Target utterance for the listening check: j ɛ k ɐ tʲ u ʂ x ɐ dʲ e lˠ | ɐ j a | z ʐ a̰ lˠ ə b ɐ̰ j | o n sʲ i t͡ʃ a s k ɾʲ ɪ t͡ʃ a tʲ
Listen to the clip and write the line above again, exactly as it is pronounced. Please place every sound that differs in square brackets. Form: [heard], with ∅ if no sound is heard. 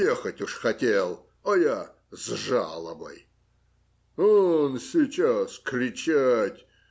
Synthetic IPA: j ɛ [x] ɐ tʲ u ʂ x ɐ [tʲ] e lˠ | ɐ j a | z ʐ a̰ lˠ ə b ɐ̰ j | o n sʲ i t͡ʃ a s k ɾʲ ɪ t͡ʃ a tʲ